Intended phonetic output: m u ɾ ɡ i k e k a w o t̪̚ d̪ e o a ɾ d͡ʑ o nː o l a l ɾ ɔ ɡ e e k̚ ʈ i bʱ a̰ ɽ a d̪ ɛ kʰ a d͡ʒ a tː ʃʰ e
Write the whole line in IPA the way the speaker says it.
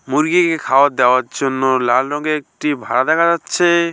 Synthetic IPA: m u ɾ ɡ i k e kʰ a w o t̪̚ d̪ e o a ɾ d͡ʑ o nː o l a l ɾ ɔ ɡ e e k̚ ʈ i bʱ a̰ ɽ a d̪ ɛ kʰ a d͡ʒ a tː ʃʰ e